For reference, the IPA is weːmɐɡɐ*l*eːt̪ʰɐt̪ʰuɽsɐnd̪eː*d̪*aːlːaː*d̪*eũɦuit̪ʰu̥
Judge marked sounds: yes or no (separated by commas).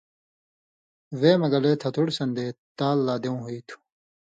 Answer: yes, no, yes